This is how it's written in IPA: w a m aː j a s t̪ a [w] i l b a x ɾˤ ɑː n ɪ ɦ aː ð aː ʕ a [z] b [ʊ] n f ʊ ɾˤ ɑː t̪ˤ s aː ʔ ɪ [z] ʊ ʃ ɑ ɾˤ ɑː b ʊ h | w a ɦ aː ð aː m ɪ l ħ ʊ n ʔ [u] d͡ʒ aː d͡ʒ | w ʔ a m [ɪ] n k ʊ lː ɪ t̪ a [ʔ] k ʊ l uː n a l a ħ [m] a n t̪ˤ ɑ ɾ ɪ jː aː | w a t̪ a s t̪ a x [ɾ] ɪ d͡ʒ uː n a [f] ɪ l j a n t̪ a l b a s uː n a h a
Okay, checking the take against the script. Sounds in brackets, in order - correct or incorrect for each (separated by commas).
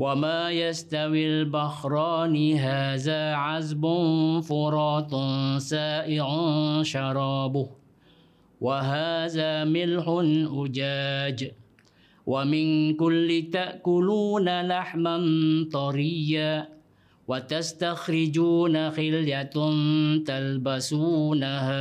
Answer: correct, correct, correct, incorrect, incorrect, correct, correct, correct, correct, incorrect